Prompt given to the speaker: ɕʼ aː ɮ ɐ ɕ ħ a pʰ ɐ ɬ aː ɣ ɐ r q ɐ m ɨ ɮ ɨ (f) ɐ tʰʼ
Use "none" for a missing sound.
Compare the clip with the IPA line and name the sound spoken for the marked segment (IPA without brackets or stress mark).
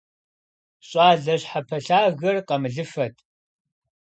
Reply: f